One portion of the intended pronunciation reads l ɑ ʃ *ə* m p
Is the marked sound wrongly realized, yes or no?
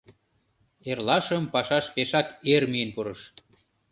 no